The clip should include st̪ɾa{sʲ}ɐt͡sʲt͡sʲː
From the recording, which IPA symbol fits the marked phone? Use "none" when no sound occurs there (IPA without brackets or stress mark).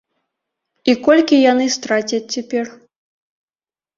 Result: t͡sʲ